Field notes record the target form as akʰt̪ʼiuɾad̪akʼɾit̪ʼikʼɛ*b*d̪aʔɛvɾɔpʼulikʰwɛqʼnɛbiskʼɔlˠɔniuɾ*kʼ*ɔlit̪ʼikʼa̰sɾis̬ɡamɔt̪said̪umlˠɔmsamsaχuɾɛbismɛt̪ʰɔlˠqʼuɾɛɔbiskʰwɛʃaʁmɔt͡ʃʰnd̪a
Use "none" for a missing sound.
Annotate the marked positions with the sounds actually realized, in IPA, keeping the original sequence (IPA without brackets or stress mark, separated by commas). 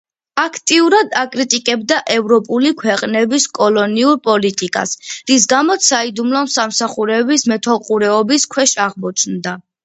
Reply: b, pʼ